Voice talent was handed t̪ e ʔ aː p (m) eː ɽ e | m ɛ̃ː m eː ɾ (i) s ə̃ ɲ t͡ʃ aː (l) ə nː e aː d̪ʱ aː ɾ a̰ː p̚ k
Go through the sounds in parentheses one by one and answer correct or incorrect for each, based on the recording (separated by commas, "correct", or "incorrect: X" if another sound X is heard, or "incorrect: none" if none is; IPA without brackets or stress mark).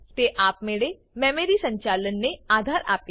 correct, correct, correct